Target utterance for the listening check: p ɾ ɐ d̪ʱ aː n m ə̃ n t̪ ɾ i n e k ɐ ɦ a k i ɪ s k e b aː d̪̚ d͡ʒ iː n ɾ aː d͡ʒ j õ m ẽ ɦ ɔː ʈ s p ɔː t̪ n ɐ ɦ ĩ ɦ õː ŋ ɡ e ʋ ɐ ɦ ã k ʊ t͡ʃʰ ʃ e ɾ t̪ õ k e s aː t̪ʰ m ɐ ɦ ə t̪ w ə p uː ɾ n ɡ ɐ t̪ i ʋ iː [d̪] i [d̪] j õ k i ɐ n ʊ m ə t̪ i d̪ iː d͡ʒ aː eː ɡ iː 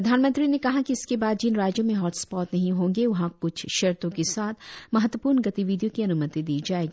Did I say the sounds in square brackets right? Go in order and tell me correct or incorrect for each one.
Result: correct, incorrect: none

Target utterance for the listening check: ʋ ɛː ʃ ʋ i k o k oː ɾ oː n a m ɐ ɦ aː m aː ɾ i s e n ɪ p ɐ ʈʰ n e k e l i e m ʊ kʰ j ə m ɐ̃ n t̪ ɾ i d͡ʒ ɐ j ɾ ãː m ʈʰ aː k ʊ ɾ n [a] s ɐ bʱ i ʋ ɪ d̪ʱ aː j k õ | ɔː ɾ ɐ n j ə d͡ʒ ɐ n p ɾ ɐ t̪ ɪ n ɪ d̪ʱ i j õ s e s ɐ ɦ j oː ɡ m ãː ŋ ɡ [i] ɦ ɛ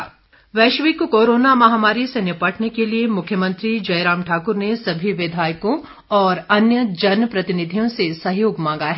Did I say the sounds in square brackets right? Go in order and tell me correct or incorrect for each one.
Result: incorrect: e, incorrect: a

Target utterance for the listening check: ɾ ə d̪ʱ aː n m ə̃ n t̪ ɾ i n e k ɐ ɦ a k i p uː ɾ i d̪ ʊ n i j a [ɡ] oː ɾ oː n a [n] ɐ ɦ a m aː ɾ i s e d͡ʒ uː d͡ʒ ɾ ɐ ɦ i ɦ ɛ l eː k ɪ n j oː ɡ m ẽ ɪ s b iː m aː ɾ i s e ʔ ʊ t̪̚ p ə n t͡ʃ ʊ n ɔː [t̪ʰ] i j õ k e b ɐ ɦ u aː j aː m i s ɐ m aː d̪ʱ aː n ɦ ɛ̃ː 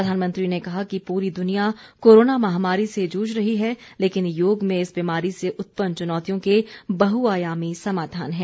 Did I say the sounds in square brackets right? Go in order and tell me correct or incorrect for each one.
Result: incorrect: k, incorrect: m, incorrect: t̪

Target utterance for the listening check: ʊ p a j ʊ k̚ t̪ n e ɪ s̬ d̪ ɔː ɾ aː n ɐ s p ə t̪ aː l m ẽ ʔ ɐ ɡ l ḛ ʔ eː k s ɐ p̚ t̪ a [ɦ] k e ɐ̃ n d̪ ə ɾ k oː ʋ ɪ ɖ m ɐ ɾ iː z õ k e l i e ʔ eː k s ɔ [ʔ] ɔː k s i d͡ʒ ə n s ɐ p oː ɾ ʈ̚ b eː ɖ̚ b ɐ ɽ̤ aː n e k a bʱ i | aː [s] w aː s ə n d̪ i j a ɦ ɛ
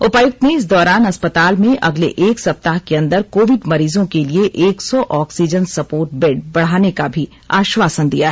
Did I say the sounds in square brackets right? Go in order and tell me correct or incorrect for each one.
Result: correct, correct, incorrect: ʃ

